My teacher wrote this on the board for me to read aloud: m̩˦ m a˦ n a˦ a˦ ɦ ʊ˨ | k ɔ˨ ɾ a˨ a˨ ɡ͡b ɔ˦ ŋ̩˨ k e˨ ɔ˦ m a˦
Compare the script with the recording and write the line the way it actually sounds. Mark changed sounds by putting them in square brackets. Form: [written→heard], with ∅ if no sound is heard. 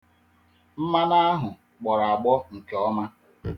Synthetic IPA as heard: m̩˦ m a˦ n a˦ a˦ ɦ ʊ˨ | [k→k͡p] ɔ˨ ɾ a˨ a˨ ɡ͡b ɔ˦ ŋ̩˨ k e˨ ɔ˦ m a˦